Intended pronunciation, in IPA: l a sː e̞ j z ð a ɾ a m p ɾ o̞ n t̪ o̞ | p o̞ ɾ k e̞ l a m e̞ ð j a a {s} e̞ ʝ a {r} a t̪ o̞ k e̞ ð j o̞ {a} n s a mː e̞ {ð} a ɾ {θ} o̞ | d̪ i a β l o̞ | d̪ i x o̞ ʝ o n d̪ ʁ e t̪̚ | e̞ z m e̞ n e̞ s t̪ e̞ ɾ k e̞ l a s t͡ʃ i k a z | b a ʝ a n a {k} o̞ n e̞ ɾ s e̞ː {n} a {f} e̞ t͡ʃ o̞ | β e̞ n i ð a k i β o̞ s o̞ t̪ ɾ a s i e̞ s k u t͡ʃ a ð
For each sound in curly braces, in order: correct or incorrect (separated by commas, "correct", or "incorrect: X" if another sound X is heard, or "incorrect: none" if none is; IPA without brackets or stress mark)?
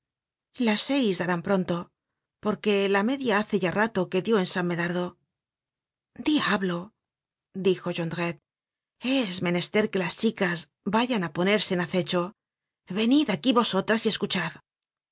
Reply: incorrect: θ, correct, incorrect: e, correct, incorrect: ð, incorrect: p, correct, incorrect: θ